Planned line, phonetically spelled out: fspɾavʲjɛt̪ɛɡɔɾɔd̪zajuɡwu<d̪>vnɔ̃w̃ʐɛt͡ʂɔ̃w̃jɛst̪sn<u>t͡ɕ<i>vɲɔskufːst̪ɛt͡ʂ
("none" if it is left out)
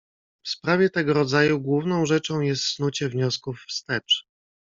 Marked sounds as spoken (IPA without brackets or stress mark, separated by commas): none, u, ɛ